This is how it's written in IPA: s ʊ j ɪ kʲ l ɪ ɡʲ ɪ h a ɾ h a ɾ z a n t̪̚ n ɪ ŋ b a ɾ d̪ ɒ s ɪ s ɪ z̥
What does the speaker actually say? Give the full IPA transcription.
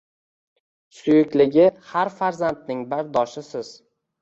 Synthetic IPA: s ʊ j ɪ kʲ l ɪ ɡʲ ɪ h a ɾ f a ɾ z a n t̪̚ n ɪ ŋ b a ɾ d̪ ɒ ʃ ɪ s ɪ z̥